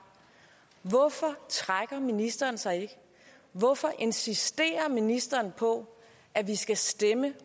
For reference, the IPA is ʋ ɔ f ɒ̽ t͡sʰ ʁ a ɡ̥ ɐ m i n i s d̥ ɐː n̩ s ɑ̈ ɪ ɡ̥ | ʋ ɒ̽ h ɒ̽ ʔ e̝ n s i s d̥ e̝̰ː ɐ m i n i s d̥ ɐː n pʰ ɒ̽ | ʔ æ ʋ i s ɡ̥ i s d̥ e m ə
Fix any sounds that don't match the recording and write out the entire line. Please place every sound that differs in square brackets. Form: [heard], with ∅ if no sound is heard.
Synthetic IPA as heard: ʋ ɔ f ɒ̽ t͡sʰ ʁ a ɡ̥ ɐ m i n i s d̥ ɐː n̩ s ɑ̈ ɪ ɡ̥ | ʋ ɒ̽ [f] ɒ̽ ʔ e̝ n s i s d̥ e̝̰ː ɐ m i n i s d̥ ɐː n pʰ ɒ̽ | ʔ æ ʋ i s ɡ̥ [æ] s d̥ e m ə